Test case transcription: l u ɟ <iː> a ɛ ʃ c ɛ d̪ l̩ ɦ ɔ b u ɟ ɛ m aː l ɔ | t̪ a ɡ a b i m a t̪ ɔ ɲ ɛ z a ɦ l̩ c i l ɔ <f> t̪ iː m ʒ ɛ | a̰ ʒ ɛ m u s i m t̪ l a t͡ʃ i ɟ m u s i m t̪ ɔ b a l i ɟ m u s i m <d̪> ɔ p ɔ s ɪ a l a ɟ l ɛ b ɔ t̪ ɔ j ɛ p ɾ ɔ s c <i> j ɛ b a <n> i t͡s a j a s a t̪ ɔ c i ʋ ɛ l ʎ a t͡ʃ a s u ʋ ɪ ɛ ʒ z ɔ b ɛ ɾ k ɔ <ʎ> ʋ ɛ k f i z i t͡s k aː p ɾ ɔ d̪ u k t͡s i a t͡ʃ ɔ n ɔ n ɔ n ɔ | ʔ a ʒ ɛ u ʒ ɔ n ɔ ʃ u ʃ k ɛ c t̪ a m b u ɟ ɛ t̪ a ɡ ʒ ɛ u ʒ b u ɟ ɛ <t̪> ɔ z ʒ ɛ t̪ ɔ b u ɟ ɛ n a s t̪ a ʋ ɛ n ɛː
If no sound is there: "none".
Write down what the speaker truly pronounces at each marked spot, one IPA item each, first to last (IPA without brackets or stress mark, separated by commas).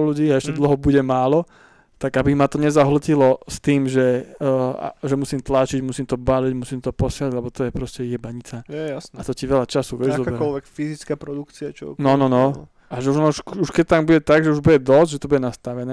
iː, s, t̪, ɛ, ɲ, l, d̪